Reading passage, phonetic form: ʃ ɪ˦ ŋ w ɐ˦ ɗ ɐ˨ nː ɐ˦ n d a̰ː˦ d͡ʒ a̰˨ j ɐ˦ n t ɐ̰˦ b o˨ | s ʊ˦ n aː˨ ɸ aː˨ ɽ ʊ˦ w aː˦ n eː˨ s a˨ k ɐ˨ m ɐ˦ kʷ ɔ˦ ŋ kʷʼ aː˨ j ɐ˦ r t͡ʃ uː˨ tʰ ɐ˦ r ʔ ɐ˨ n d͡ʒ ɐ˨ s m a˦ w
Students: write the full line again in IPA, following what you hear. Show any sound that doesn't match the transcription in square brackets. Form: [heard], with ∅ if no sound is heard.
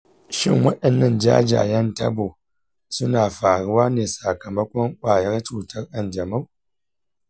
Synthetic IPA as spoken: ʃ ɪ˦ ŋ w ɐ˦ ɗ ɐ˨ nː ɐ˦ n [d͡ʒ] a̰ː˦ d͡ʒ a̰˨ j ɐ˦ n t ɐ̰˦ b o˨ | s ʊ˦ n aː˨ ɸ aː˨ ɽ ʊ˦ w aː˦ n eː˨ s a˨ k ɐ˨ m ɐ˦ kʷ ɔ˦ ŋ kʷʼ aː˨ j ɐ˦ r t͡ʃ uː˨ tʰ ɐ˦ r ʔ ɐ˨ n d͡ʒ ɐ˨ [∅] m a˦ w